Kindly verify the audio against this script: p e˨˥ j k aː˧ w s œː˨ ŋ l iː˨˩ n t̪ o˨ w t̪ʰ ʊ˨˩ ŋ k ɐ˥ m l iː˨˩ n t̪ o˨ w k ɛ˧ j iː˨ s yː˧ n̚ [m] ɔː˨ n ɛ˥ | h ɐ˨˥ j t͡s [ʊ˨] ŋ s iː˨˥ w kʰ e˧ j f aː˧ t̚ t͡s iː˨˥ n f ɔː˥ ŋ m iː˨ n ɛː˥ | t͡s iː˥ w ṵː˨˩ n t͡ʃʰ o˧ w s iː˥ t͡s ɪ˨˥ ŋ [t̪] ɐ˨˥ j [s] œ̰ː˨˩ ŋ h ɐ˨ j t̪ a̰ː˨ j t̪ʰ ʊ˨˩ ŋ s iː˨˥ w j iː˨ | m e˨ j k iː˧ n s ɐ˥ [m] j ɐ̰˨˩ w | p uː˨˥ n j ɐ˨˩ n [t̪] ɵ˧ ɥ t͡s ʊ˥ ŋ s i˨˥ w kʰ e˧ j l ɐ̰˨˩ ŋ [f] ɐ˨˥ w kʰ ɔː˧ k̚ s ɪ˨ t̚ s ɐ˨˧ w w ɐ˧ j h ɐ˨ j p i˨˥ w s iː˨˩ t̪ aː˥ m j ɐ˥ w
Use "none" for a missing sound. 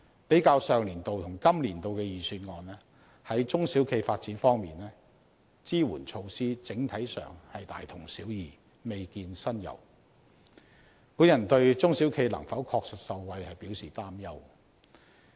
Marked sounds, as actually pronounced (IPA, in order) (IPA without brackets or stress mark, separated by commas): ŋ, ʊ˥, t̪ʰ, s, n, t̪, f